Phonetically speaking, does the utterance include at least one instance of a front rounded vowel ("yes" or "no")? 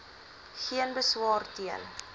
no